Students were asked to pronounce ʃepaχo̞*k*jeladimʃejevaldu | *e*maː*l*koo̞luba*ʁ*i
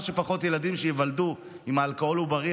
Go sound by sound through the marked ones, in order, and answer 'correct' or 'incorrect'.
incorrect, incorrect, correct, correct

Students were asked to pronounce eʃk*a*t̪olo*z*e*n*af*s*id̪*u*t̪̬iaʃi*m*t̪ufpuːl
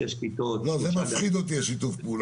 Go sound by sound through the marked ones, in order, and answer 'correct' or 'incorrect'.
incorrect, correct, incorrect, incorrect, incorrect, incorrect

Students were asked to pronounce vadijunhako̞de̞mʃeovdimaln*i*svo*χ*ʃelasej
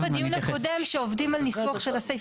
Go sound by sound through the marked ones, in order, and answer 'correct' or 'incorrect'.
correct, correct

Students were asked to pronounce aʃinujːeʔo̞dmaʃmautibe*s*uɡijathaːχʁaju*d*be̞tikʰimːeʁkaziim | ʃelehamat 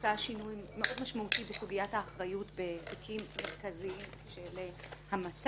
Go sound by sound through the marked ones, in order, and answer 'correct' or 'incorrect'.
correct, incorrect

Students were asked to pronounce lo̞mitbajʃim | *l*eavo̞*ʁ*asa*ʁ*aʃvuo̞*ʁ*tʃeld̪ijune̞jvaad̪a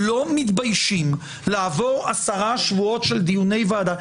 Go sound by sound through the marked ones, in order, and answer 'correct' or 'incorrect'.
correct, correct, correct, incorrect

